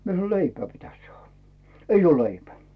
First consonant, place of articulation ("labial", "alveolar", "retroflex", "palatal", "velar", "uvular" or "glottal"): labial